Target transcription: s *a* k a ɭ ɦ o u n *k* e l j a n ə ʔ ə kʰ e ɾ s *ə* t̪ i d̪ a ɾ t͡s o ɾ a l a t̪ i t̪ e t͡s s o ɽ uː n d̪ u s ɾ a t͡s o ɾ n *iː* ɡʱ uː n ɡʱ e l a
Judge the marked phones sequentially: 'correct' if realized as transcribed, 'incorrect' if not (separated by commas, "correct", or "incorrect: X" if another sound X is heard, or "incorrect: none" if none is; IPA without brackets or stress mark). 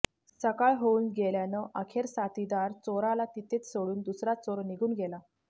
incorrect: ə, incorrect: ɡ, incorrect: a, incorrect: i